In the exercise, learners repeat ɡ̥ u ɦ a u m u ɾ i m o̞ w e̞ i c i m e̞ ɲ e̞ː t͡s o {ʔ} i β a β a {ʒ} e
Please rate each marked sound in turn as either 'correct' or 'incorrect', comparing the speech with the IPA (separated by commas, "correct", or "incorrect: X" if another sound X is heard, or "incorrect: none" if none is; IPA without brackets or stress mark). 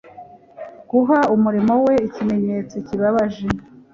incorrect: c, correct